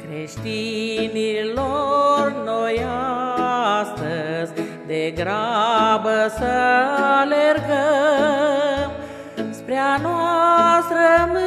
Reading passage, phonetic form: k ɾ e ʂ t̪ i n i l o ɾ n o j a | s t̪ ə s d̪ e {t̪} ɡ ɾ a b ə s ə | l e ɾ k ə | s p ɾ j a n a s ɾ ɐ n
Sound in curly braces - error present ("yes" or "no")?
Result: yes